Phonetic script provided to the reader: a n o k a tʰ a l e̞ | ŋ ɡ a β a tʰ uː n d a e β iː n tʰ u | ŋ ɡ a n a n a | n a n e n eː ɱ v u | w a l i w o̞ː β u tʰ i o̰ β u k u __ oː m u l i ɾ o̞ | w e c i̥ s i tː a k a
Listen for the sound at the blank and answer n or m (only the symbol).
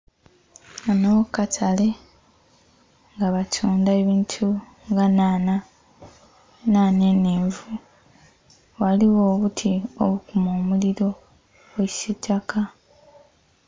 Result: m